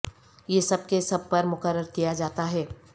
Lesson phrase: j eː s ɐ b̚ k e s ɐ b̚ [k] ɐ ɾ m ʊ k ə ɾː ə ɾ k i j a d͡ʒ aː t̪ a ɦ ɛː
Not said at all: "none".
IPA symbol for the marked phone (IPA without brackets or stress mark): p